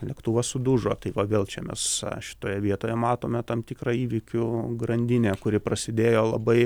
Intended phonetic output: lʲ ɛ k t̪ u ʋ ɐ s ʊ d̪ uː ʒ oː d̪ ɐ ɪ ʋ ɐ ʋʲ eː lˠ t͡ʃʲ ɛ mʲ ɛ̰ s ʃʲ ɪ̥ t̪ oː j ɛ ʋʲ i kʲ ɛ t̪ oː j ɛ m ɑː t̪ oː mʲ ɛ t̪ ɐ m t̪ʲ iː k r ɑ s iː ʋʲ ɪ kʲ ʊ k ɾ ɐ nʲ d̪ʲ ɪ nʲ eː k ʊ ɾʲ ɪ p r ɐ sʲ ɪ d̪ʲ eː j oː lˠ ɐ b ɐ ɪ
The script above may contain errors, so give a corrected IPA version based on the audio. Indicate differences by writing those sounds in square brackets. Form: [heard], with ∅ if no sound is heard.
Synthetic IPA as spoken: lʲ ɛ k t̪ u ʋ ɐ s ʊ d̪ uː ʒ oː [t̪] ɐ ɪ ʋ ɐ ʋʲ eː lˠ t͡ʃʲ ɛ mʲ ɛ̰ s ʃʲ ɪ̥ t̪ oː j ɛ ʋʲ i [∅] ɛ t̪ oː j ɛ m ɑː t̪ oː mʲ ɛ t̪ ɐ m t̪ʲ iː k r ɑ [∅] iː ʋʲ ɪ kʲ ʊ [ɡ] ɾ ɐ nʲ d̪ʲ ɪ nʲ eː k ʊ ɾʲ ɪ p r ɐ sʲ ɪ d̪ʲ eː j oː lˠ ɐ b ɐ ɪ